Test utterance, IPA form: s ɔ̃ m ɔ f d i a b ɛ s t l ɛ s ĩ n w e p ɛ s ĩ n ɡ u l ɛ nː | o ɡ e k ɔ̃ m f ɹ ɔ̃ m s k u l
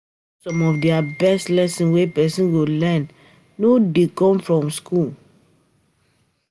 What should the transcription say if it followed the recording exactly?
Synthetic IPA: s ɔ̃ m ɔ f d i a b ɛ s t l ɛ s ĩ n w e p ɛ s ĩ n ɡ o l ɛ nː | o d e k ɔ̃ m f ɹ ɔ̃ m s k u l